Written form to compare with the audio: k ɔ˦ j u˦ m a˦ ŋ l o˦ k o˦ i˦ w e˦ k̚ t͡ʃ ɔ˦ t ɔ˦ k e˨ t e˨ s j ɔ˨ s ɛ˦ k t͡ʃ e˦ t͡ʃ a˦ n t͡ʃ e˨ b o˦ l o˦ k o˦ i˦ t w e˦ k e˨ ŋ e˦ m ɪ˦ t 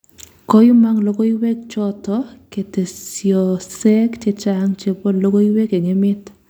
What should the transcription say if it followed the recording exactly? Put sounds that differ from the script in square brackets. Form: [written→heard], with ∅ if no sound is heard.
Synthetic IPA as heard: k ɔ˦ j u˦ m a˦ ŋ l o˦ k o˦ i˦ w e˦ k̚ t͡ʃ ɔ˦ t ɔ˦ k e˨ t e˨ s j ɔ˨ s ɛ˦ k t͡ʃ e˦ t͡ʃ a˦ [n→ŋ] t͡ʃ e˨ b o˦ l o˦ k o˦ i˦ [t→∅] w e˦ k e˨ ŋ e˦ m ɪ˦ t